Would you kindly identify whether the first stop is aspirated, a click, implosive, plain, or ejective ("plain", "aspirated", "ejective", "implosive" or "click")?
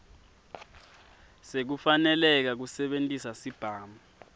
plain